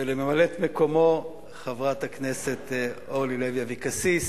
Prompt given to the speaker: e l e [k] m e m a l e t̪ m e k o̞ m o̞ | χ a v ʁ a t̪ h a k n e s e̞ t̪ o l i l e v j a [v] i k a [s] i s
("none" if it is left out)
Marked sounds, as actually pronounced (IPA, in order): none, v, s

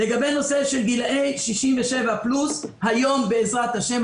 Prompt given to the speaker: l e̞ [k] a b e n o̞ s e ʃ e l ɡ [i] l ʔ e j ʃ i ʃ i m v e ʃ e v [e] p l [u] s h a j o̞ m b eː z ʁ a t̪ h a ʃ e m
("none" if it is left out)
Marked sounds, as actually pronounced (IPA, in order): ɡ, i, a, u

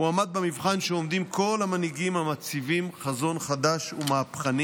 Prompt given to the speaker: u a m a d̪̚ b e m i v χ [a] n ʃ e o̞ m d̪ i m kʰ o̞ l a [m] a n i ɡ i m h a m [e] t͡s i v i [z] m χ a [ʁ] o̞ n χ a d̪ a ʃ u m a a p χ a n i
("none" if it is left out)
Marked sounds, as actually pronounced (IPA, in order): a, m, a, none, z

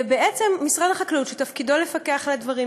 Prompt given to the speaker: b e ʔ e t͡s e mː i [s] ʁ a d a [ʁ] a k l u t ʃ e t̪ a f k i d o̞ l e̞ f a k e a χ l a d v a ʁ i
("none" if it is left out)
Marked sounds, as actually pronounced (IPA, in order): s, χ

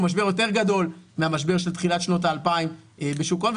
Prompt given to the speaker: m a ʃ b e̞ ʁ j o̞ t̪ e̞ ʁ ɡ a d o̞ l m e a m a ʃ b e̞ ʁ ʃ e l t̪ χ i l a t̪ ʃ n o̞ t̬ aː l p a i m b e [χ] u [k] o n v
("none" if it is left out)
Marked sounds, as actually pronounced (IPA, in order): ʃ, k

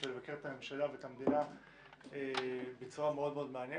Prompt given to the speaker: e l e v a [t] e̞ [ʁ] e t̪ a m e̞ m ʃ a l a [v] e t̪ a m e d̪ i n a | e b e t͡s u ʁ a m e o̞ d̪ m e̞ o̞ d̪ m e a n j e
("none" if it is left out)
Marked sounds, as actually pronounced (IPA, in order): k, ʁ, v

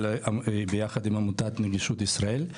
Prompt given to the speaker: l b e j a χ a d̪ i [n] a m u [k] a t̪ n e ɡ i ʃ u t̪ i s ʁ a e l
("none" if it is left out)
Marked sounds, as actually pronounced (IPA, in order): m, t

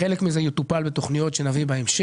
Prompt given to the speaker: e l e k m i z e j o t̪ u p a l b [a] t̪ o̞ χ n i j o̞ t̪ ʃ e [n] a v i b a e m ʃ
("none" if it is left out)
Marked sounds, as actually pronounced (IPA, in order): e, n

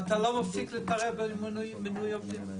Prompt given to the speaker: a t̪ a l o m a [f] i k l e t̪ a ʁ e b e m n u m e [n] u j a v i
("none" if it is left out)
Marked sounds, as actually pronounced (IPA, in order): f, n

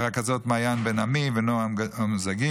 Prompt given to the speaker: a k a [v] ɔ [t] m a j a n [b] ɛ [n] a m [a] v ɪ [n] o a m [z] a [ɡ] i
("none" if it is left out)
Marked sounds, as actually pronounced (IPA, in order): z, t, b, n, i, n, z, ɡ

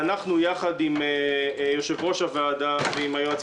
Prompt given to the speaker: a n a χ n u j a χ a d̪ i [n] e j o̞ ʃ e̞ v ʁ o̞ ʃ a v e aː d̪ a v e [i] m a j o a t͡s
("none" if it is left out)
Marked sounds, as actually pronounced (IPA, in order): m, i

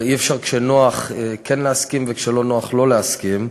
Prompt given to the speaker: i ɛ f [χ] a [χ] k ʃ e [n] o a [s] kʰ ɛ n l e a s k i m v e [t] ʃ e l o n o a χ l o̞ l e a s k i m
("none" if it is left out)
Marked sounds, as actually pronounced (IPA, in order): ʃ, ʁ, n, χ, k

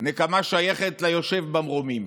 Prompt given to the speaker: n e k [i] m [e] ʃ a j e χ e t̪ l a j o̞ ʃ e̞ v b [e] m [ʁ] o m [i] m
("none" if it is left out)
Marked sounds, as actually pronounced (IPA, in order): a, a, a, ʁ, i

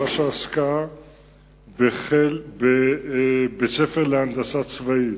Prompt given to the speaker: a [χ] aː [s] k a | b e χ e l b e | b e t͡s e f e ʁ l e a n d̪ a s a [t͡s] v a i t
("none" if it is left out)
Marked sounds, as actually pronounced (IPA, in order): ʃ, s, t͡s

